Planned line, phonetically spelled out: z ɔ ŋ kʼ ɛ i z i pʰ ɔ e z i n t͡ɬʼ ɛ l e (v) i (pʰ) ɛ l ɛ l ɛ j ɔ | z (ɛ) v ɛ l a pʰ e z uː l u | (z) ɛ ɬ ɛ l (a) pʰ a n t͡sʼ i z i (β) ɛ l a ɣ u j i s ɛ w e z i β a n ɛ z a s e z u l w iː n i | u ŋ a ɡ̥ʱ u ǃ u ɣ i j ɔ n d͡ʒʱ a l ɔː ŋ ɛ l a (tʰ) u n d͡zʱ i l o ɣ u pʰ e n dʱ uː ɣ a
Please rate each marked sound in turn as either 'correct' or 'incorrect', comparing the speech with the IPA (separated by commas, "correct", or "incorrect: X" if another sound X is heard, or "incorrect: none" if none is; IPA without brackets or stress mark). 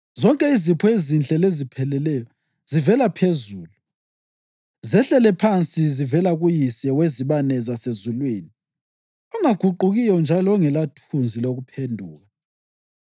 incorrect: z, correct, incorrect: i, correct, incorrect: ɛ, incorrect: v, correct